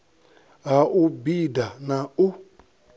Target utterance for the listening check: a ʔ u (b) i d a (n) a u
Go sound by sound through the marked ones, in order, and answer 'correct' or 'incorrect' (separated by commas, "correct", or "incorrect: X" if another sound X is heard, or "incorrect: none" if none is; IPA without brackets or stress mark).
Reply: correct, correct